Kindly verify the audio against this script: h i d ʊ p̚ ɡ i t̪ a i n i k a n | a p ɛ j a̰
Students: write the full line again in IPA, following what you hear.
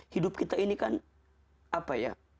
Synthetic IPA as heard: h i d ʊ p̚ k i t̪ a i n i k a n | a p a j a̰